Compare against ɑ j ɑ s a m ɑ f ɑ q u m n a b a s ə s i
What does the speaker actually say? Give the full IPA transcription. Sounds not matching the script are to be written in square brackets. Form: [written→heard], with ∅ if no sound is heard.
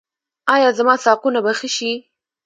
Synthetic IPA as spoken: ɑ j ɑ [s→z] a m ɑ [f→s] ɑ q u [m→∅] n a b a [s→x] ə [s→ʃ] i